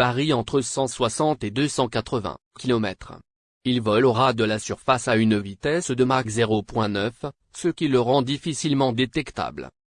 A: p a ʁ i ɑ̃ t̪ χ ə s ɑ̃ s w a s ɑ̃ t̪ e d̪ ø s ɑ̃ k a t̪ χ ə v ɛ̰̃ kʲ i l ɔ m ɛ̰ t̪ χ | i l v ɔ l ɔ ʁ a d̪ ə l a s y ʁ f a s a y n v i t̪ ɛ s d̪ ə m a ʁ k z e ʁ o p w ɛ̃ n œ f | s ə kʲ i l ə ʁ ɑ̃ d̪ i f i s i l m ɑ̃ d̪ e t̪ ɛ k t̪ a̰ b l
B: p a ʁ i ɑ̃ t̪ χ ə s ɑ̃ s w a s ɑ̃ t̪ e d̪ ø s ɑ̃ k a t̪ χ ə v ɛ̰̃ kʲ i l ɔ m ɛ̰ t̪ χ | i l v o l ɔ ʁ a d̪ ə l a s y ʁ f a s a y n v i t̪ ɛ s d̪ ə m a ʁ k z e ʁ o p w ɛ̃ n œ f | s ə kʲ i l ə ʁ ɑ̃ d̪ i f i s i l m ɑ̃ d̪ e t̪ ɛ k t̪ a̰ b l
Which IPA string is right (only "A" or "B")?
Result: A